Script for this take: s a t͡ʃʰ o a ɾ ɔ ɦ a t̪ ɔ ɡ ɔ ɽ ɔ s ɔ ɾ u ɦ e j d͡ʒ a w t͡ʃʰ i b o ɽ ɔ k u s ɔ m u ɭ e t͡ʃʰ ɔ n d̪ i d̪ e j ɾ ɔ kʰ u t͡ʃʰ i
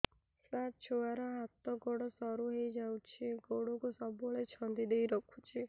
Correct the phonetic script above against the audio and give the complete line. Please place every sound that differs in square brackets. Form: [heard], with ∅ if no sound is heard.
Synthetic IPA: s a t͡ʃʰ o a ɾ ɔ ɦ a t̪ ɔ ɡ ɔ ɽ ɔ s ɔ ɾ u ɦ e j d͡ʒ a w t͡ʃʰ i [ɡ] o ɽ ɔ k u s ɔ [b] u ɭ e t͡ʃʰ ɔ n d̪ i d̪ e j ɾ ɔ kʰ u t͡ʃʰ i